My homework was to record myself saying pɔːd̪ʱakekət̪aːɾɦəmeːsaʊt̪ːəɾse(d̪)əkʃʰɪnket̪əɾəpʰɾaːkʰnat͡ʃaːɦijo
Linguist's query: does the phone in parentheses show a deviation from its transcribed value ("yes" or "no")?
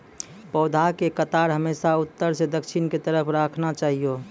no